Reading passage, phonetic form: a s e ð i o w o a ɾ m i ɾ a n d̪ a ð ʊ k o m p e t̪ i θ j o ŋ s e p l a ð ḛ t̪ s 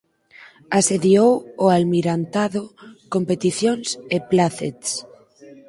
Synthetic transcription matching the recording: a s e ð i o w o a l m i ɾ a n t̪ a ð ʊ k o m p e t̪ i θ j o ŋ s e p l a θ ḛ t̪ s